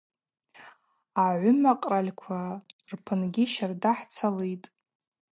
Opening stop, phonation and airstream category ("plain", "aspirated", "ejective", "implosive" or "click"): ejective